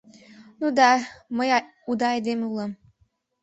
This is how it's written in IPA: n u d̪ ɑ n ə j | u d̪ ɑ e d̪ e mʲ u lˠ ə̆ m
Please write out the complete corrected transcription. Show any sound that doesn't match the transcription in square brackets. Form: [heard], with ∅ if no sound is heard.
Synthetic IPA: n u d̪ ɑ [m] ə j | u d̪ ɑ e d̪ e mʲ u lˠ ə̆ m